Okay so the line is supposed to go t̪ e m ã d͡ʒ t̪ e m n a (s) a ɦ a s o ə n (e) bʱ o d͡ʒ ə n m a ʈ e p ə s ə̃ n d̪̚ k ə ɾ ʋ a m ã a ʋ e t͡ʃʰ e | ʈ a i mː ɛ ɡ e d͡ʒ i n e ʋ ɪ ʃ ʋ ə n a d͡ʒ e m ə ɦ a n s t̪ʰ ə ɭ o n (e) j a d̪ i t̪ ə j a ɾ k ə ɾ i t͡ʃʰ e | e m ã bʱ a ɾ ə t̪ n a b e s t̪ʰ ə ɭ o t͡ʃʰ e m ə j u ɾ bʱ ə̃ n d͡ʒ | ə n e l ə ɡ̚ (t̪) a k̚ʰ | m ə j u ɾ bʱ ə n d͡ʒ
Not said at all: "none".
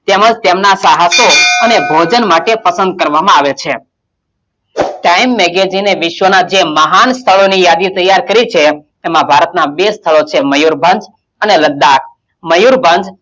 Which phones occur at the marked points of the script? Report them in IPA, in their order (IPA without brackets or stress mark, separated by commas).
s, e, i, d̪